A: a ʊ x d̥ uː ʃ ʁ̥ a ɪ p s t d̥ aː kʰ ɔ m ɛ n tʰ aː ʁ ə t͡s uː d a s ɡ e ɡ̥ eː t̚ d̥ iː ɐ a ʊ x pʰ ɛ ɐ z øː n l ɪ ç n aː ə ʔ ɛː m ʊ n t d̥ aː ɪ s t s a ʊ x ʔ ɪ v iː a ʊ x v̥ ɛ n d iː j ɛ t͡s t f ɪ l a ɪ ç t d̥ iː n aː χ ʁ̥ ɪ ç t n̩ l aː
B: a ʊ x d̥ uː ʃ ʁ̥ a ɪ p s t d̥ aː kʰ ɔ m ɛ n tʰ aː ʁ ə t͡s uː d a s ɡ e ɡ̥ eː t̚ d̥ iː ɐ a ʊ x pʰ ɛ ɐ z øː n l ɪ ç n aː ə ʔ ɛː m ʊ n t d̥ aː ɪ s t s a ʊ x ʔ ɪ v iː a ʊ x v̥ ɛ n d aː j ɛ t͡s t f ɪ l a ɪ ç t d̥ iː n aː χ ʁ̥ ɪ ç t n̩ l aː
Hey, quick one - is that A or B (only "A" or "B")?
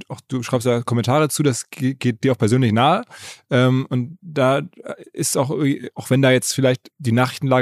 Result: B